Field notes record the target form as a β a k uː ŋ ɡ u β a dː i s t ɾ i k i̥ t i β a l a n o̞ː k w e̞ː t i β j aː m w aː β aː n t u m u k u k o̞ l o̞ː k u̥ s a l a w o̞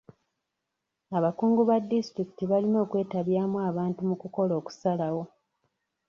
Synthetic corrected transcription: a β a k uː ŋ ɡ u β a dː i s t ɾ i k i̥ t i β a l i n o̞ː k w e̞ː t a β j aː m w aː β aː n t u m u k u k o̞ l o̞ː k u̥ s a l a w o̞